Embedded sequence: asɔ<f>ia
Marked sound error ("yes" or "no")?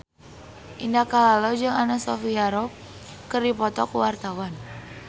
no